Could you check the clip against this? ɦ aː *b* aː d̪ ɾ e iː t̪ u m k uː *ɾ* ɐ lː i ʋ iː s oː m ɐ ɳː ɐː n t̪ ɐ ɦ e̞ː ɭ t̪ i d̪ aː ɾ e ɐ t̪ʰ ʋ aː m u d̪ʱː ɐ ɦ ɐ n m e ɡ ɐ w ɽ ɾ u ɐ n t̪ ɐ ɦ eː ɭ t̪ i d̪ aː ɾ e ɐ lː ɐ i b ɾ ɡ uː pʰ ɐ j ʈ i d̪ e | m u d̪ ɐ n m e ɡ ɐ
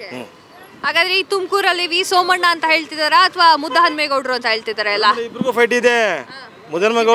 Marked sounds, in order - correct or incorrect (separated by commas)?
incorrect, correct